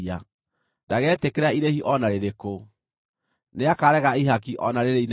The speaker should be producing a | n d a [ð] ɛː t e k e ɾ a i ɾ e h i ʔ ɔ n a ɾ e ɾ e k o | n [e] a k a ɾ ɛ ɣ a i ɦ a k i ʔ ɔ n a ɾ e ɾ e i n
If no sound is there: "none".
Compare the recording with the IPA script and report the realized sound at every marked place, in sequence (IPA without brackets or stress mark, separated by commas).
ɣ, e